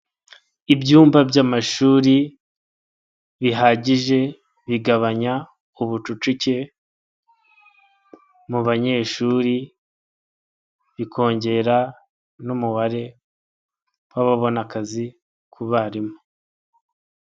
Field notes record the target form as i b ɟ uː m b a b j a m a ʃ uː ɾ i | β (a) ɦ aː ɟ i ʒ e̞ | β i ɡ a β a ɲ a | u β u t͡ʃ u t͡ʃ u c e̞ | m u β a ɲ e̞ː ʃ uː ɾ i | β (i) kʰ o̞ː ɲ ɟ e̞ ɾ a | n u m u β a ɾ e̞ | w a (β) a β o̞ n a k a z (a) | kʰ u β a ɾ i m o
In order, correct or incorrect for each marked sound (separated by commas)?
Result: incorrect, correct, correct, incorrect